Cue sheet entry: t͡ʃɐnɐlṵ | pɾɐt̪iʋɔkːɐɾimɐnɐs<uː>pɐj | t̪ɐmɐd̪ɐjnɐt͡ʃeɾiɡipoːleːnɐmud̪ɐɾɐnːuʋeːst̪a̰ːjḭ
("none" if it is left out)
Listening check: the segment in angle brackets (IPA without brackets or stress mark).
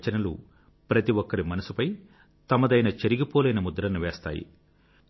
u